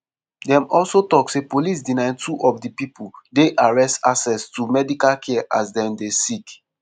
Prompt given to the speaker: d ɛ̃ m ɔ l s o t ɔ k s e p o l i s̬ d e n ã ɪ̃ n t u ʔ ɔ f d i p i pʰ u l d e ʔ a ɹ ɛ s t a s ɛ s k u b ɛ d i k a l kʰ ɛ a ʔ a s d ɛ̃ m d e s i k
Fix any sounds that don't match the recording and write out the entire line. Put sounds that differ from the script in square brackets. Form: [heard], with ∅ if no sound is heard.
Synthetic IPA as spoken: d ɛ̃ m ɔ l s o t ɔ k s e p o l i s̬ d [i] n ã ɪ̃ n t u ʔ ɔ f d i p i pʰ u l d e ʔ a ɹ ɛ s t a s ɛ s [t] u [m] ɛ d i k a l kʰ ɛ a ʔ a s d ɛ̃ m d e s i k